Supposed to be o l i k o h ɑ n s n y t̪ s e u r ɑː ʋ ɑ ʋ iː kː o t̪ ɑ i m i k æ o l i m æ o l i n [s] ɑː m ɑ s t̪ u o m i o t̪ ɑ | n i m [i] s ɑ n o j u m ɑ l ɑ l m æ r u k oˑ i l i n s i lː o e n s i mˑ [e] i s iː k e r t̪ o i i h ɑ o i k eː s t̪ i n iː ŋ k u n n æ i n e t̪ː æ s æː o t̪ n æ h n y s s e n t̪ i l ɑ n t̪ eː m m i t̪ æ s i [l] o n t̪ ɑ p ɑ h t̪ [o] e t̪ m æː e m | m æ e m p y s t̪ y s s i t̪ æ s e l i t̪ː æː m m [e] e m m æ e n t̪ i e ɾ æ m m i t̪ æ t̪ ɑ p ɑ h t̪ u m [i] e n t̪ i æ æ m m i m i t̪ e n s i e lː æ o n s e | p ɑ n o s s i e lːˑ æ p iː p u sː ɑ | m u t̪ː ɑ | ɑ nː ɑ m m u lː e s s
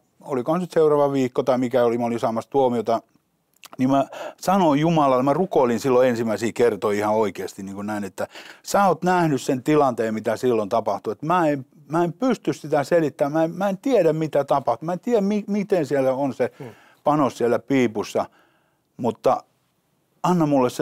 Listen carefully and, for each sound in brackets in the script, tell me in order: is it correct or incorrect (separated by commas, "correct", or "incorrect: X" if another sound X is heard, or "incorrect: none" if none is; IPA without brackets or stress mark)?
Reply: correct, incorrect: æ, incorrect: æ, incorrect: lː, incorrect: u, incorrect: æ, incorrect: æ